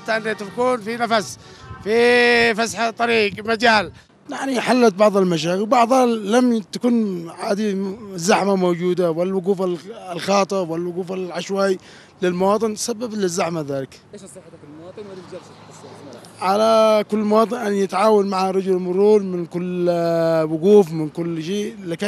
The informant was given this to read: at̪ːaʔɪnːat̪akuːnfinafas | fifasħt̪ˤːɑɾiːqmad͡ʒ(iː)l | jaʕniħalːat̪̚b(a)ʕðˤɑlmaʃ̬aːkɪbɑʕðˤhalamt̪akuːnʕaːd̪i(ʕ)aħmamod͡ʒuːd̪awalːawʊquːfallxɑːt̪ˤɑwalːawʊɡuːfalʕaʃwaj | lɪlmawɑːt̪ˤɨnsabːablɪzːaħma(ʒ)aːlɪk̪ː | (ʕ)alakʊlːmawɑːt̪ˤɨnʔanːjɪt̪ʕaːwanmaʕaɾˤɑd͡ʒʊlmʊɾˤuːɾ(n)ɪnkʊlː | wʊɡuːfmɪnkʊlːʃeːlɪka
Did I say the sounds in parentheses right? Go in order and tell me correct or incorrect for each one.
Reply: incorrect, incorrect, incorrect, incorrect, correct, incorrect

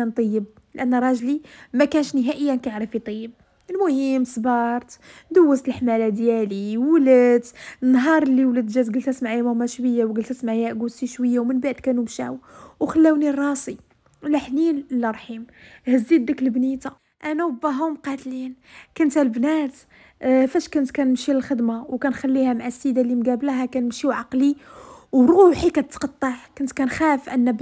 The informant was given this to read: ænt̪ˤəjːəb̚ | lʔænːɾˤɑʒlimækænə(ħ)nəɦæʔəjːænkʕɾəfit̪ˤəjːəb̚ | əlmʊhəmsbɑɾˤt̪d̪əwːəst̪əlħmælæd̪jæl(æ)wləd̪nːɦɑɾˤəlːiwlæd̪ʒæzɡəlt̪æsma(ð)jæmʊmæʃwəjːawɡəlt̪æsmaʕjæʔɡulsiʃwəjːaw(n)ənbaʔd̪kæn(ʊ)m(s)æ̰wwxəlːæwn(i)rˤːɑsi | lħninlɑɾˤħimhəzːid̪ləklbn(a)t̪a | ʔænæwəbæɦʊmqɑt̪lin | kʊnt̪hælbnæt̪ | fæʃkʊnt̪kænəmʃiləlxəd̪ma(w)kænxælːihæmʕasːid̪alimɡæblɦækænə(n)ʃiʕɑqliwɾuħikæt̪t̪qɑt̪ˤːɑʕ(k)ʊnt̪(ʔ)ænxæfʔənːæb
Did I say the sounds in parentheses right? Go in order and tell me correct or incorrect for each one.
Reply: incorrect, incorrect, incorrect, incorrect, incorrect, incorrect, correct, incorrect, correct, incorrect, correct, incorrect

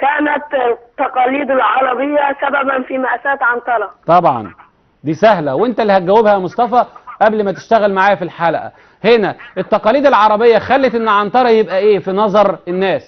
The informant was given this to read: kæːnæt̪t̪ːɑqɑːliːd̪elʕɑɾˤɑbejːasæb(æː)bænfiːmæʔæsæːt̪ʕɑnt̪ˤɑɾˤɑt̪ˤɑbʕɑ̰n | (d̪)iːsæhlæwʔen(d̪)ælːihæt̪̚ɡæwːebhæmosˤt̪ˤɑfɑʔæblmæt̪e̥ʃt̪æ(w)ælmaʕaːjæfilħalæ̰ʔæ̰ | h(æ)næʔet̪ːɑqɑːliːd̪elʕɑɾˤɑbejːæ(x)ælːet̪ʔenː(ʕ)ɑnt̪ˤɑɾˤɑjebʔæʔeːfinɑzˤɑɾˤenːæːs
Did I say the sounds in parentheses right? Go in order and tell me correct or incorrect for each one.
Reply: incorrect, correct, incorrect, incorrect, incorrect, correct, correct

